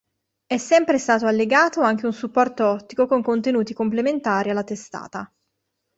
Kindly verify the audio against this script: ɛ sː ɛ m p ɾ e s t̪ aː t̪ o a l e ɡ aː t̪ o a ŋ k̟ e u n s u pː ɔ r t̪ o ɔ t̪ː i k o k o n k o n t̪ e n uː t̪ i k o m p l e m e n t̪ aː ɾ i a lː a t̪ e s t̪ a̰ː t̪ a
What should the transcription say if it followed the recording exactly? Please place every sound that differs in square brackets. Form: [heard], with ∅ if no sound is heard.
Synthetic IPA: ɛ sː ɛ m p ɾ e s t̪ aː t̪ o a [lː] e ɡ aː t̪ o a ŋ k̟ e u n s u pː ɔ r t̪ o ɔ t̪ː i k o k o [ŋ] k o n t̪ e n uː t̪ i k o m p l e m e n t̪ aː ɾ i a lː a t̪ e s t̪ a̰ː t̪ a